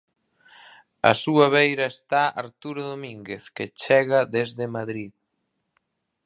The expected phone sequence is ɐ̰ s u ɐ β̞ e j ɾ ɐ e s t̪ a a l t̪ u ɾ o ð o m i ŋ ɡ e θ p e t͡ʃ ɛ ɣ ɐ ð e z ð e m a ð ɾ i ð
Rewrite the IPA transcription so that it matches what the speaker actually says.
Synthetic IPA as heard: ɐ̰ s u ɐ β̞ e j ɾ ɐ e s t̪ a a ɾ t̪ u ɾ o ð o m i ŋ ɡ e θ k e t͡ʃ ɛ ɣ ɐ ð e z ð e m a ð ɾ i ð